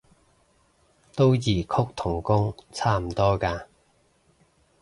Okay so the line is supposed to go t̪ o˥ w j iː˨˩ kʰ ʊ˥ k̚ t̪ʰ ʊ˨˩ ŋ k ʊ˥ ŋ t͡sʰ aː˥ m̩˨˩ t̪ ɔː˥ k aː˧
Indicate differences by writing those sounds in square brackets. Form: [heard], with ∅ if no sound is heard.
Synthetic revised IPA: t̪ o˥ w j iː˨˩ kʰ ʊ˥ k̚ t̪ʰ ʊ˨˩ ŋ k ʊ˥ ŋ t͡sʰ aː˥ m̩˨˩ t̪ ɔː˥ k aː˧